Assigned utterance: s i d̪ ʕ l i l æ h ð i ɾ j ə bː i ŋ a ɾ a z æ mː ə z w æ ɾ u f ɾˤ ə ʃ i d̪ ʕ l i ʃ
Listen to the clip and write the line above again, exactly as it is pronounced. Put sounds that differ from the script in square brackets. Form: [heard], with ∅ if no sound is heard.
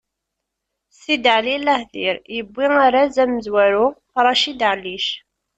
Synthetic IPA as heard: s i d̪ ʕ l i l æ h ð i ɾ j ə bː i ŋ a ɾ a z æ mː ə z w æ ɾ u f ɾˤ [ɑ] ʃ i d̪ ʕ l i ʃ